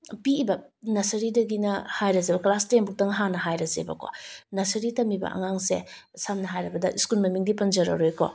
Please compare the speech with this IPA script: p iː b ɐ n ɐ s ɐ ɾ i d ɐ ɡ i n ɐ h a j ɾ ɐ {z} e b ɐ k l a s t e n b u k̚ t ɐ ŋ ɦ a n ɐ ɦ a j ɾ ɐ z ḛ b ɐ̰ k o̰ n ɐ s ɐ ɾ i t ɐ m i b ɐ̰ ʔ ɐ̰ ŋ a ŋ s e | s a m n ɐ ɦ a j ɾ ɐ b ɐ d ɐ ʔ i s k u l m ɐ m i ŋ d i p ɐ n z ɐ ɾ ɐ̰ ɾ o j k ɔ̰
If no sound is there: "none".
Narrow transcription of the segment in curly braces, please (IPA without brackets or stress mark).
z